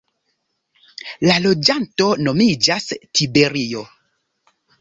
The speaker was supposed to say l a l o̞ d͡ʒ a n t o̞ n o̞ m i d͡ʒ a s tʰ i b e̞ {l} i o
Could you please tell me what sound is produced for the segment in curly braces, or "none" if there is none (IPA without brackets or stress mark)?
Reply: ɾ